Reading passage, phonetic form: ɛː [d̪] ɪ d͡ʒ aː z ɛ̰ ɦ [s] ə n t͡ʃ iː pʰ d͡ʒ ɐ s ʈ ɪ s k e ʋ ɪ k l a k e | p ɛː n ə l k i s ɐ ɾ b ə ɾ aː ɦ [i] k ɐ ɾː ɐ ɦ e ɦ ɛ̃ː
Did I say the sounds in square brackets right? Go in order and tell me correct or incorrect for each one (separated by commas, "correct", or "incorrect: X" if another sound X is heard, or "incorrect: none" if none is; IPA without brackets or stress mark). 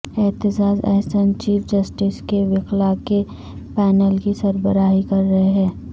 incorrect: t̪, correct, correct